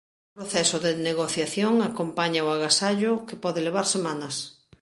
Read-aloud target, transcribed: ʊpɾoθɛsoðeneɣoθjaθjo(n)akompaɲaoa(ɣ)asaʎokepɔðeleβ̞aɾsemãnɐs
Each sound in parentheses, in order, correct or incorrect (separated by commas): incorrect, correct